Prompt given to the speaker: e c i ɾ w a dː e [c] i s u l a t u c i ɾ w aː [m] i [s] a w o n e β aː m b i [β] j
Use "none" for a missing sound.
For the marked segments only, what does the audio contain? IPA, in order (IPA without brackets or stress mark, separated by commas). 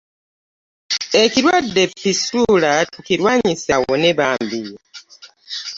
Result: p, ɲ, s, none